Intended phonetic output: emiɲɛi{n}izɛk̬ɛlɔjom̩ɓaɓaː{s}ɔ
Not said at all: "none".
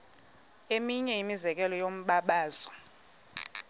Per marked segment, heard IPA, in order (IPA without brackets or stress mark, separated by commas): m, z